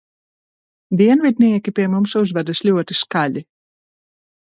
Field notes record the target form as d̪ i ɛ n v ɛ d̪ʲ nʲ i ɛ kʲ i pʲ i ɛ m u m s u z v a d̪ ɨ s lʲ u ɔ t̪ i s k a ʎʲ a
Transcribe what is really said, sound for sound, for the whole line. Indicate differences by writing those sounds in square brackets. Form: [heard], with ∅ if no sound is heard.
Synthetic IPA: d̪ i ɛ n v [i] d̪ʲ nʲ i ɛ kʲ i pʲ i ɛ m u m s u z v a d̪ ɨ s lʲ u ɔ t̪ i s k a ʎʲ [i]